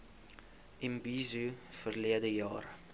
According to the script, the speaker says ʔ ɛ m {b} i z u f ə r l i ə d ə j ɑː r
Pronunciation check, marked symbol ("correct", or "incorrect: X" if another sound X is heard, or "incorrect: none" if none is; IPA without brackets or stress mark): correct